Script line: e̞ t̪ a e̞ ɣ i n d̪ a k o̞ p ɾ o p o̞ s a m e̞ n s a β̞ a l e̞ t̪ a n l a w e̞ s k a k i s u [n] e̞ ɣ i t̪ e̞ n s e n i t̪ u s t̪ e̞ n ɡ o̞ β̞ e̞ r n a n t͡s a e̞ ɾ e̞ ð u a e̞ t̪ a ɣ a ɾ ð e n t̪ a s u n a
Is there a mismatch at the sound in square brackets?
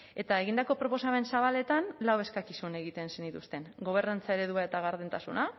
no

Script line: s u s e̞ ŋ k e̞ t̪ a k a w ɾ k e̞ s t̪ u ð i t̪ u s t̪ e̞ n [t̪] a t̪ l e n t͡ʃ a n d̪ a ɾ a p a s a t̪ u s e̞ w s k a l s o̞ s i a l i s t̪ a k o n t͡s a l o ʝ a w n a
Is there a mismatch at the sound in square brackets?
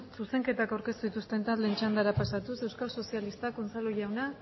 no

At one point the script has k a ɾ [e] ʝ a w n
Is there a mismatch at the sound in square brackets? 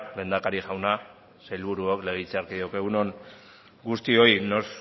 yes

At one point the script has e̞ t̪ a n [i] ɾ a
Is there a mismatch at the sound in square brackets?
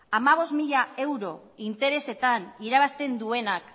no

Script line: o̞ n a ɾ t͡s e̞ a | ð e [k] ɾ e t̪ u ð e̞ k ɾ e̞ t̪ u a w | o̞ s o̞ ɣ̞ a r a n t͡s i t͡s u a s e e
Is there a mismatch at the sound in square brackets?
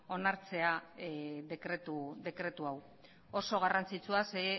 no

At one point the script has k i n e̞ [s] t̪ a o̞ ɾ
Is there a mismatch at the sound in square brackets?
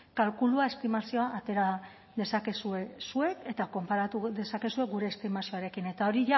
yes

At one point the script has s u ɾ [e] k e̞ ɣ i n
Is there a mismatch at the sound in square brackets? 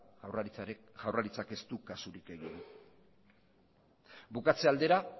yes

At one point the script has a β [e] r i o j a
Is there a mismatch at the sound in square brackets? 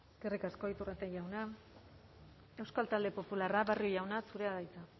yes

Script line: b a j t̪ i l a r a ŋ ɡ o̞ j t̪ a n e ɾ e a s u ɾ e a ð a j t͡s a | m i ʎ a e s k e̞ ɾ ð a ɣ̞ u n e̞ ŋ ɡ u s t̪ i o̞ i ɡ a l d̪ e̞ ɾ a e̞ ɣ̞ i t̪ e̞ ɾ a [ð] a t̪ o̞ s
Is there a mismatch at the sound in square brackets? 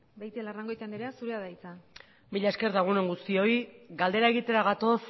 yes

